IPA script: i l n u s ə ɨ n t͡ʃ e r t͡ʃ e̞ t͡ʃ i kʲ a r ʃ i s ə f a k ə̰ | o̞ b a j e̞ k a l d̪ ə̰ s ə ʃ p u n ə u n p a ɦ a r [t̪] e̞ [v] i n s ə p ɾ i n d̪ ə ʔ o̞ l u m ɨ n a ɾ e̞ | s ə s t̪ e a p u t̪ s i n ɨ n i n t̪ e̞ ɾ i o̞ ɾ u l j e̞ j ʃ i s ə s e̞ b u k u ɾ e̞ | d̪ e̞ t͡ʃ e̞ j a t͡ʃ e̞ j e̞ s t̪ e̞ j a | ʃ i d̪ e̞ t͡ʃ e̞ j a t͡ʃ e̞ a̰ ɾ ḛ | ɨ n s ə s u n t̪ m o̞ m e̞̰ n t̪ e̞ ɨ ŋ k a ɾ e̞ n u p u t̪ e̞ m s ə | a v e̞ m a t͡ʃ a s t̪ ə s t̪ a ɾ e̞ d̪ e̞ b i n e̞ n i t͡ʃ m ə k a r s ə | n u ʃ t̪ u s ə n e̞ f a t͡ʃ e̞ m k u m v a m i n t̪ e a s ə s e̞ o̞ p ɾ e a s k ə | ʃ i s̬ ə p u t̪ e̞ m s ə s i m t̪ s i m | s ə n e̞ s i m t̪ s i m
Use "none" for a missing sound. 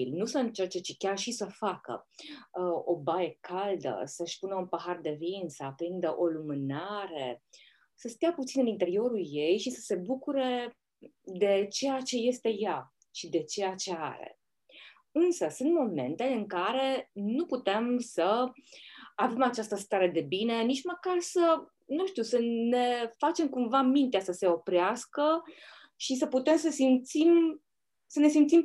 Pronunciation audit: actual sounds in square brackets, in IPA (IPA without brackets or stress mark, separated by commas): d̪, v